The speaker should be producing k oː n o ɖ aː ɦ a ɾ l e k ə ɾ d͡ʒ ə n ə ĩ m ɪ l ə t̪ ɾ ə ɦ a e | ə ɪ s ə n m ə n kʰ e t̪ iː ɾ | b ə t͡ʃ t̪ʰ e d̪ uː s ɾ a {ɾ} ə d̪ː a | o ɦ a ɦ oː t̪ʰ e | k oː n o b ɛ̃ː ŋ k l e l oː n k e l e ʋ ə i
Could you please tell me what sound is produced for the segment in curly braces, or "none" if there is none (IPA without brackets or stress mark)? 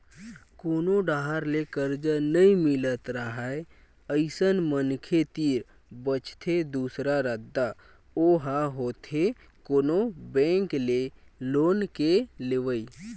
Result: ɾ